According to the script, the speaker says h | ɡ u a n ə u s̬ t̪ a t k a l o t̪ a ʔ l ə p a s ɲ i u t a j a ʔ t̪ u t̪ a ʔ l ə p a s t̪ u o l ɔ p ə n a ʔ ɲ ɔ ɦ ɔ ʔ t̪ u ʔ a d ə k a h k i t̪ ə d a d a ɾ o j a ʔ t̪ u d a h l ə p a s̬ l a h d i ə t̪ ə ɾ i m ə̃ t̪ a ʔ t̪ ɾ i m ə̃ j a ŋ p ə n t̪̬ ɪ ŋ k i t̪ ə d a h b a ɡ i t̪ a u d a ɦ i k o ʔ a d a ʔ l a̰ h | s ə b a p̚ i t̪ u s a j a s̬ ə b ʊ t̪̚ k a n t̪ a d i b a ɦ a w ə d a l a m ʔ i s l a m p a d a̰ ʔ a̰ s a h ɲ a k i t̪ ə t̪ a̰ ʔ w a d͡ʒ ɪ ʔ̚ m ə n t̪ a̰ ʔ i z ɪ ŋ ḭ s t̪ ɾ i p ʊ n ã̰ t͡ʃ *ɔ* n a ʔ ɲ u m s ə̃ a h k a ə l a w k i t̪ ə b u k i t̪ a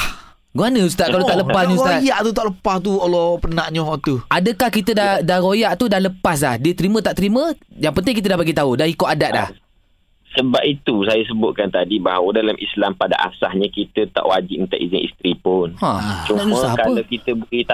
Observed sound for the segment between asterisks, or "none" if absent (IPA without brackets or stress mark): u